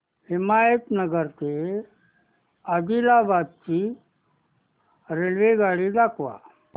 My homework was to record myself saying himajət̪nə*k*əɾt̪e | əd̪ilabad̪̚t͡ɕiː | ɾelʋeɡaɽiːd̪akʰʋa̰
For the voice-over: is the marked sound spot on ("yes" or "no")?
no